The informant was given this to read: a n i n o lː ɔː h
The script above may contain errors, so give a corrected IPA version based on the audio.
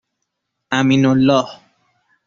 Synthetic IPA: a m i n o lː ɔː h